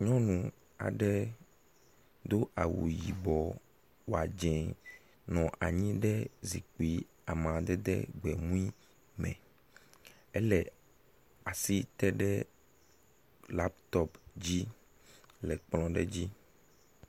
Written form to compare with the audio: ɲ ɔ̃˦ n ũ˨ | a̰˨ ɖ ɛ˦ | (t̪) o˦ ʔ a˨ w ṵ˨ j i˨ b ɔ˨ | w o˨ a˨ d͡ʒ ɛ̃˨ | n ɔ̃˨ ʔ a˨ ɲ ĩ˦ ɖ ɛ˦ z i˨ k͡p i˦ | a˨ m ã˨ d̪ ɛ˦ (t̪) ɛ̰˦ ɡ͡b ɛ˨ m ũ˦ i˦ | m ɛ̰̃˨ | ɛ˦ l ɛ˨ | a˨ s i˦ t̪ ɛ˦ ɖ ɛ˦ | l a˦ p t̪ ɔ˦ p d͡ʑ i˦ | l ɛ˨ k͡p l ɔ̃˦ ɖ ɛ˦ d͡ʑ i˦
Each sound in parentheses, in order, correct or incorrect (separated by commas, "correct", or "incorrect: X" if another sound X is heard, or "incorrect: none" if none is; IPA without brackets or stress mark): incorrect: d̪, incorrect: d̪